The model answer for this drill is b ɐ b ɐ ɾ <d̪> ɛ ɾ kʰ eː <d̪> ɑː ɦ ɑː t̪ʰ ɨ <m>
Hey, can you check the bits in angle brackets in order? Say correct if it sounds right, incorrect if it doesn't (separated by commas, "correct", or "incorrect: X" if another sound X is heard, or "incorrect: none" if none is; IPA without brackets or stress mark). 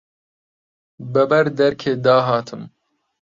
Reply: correct, correct, correct